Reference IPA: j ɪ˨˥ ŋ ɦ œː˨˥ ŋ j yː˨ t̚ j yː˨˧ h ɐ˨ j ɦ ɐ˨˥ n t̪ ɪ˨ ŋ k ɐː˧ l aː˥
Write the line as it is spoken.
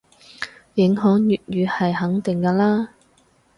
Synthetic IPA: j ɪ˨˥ ŋ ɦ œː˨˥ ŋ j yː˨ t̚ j yː˨˧ h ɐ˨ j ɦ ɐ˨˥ ŋ t̪ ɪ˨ ŋ k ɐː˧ l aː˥